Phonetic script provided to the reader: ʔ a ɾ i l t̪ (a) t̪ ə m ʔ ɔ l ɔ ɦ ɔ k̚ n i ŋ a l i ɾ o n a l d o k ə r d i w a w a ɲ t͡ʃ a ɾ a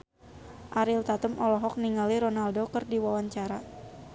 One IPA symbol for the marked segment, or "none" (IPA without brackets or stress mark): a